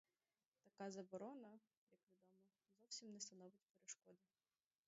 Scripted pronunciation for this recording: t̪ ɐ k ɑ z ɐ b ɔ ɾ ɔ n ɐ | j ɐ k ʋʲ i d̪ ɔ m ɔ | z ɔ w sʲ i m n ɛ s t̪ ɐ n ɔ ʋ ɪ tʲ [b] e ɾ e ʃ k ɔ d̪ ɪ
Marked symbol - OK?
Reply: no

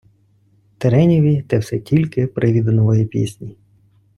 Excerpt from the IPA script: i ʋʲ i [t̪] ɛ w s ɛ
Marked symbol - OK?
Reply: yes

